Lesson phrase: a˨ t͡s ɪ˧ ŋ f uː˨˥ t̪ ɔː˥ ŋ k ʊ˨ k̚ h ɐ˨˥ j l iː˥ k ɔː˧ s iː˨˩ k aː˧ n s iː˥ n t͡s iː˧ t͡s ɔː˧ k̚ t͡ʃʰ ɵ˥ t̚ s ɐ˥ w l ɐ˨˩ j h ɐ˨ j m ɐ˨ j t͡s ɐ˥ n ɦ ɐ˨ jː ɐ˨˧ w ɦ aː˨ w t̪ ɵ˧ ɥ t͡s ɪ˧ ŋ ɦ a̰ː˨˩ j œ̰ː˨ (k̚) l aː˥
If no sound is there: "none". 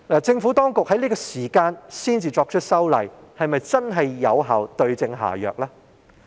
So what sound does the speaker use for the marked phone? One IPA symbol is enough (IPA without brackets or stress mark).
k̚